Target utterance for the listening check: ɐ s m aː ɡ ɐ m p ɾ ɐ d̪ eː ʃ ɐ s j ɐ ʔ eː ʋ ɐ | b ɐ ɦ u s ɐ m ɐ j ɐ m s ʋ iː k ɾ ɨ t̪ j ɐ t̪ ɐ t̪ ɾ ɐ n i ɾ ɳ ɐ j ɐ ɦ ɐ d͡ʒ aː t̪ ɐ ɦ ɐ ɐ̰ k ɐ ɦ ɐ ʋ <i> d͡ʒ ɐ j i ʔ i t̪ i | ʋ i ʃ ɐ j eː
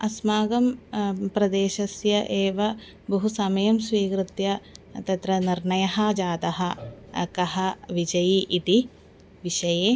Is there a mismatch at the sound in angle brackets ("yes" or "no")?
no